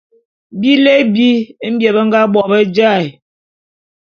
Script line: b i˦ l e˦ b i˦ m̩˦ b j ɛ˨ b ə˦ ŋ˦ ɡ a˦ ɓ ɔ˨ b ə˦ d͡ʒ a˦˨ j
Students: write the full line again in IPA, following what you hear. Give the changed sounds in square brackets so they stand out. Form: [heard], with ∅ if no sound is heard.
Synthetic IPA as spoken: b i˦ l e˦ b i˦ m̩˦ b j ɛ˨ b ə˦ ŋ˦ ɡ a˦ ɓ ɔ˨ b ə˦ d͡ʒ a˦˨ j